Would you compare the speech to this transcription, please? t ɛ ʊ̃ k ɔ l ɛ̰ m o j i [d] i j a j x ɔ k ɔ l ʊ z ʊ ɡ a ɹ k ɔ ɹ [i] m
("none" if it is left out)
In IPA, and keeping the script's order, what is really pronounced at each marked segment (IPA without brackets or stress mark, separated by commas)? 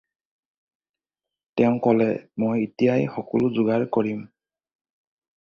t, i